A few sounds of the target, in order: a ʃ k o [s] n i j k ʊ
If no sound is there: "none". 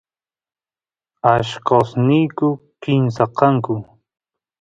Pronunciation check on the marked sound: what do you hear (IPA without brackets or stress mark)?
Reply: s